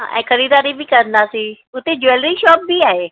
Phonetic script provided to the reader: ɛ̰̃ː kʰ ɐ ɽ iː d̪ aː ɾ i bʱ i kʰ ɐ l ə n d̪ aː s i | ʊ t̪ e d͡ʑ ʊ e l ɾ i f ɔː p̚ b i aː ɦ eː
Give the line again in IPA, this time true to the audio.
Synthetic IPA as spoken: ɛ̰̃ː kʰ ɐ ɾ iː d̪ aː ɾ i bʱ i k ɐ ɾ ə n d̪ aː s i | ʊ t̪ e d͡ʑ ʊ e l ɾ i ʃ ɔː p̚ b i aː ɦ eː